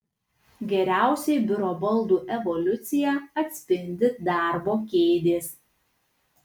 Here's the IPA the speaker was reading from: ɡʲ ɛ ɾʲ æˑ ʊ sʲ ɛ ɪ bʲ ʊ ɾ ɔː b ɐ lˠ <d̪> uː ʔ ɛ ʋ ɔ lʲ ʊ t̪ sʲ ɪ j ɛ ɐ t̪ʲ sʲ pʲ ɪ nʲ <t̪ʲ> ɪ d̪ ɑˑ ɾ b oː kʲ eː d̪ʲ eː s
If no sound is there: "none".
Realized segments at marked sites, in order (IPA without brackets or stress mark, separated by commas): d̪, d̪ʲ